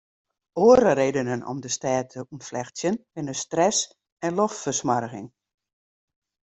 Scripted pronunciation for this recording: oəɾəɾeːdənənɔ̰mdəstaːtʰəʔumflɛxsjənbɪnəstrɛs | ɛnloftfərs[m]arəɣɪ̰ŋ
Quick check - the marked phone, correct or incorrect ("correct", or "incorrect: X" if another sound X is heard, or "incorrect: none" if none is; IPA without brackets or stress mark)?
correct